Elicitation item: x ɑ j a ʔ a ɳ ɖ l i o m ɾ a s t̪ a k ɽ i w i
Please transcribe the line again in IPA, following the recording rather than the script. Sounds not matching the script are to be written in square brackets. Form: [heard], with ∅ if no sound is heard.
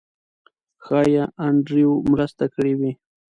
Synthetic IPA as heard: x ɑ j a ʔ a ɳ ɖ [ɾ] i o m ɾ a s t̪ a k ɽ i w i